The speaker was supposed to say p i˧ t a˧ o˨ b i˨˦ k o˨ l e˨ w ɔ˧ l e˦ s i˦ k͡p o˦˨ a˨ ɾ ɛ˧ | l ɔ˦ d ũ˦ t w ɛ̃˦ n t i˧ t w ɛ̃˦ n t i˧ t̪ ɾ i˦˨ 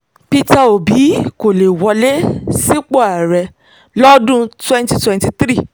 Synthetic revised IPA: p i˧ t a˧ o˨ b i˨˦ k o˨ l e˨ w ɔ˧ l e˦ s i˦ k͡p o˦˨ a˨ ɾ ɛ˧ | l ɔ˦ d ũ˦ t w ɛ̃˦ n t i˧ t w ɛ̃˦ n t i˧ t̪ ɾ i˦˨